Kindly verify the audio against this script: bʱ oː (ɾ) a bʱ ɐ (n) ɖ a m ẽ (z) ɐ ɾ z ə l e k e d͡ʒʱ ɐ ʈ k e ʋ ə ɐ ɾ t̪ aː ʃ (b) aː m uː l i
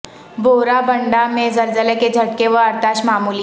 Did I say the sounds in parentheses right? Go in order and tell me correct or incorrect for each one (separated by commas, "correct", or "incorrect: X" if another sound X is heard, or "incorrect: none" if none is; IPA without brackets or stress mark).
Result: correct, incorrect: ɳ, correct, incorrect: m